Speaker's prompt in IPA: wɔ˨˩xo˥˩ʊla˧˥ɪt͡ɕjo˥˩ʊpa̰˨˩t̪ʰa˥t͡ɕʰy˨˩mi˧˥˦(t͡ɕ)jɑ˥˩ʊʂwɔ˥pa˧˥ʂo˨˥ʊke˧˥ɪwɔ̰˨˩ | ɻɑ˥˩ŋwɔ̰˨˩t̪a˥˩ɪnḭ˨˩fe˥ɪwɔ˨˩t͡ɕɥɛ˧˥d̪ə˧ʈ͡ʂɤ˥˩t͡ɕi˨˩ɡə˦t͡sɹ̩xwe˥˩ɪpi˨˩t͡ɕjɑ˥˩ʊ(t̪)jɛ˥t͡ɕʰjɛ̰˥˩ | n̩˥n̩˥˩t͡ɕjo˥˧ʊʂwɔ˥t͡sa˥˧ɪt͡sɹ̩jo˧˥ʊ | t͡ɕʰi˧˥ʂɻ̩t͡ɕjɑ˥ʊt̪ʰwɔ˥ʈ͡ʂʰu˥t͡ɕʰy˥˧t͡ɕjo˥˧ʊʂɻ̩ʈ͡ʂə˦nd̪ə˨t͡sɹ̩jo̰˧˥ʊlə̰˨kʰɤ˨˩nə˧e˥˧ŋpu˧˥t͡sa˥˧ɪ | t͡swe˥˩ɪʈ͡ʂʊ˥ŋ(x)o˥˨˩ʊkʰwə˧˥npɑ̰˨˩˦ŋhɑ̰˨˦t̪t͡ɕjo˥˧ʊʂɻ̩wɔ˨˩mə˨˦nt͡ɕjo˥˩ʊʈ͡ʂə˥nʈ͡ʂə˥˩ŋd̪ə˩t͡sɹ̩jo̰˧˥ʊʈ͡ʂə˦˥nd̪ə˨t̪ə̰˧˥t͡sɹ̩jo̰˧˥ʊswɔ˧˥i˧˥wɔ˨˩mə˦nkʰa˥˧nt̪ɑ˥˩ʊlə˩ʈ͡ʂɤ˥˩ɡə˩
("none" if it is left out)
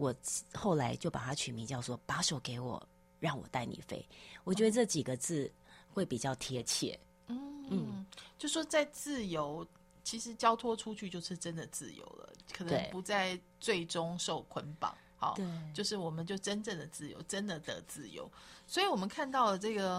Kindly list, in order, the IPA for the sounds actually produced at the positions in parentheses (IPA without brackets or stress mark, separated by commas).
t͡ɕ, t̪ʰ, ʂ